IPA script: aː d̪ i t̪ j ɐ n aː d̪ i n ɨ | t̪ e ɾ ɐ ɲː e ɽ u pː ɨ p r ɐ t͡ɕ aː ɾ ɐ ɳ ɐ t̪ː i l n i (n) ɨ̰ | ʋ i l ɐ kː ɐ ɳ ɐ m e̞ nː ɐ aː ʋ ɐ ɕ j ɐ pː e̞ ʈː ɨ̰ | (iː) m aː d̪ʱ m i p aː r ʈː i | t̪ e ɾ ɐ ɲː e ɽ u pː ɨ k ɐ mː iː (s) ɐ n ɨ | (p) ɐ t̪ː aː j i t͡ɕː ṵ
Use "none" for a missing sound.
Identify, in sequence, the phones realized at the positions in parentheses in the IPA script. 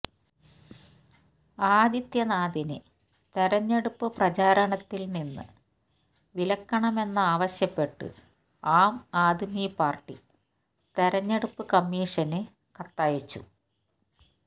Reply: nː, aː, ʂ, k

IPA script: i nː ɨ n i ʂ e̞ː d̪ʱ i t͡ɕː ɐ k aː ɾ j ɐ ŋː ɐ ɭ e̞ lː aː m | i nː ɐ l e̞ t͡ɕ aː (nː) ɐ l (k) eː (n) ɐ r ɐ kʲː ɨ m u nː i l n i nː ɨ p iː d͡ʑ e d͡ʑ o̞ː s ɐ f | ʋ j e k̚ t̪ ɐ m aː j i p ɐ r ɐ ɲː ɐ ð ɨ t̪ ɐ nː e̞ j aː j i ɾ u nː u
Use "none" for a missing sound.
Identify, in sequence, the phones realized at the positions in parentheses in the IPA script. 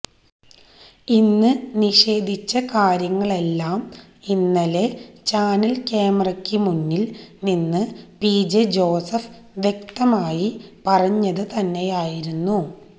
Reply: n, k, m

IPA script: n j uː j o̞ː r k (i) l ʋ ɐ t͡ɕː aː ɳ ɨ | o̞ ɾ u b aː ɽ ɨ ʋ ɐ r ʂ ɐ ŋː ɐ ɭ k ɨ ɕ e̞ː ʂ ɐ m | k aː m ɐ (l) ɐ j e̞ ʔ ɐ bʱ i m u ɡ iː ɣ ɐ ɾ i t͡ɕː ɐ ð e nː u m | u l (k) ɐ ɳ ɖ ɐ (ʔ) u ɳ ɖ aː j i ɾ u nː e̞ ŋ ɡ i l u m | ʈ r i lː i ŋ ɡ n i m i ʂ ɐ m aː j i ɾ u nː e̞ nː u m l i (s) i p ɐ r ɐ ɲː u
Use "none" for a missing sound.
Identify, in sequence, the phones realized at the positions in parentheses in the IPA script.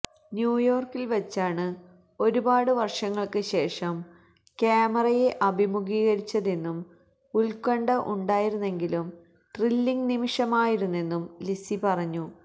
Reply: i, r, k, ʔ, s

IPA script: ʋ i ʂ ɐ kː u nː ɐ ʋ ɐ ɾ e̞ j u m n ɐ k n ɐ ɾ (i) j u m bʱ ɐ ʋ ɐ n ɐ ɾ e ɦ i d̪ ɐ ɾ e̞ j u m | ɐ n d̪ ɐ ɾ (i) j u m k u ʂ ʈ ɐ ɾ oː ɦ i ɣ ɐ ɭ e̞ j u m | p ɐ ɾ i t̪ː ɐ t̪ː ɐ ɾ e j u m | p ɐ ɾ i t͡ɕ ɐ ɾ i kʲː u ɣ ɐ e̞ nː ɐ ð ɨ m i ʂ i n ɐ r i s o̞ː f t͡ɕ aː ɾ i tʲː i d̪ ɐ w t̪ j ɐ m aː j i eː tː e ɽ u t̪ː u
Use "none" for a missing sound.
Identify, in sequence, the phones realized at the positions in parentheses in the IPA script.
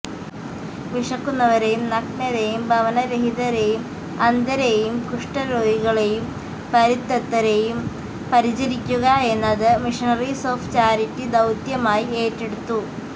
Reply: e, e

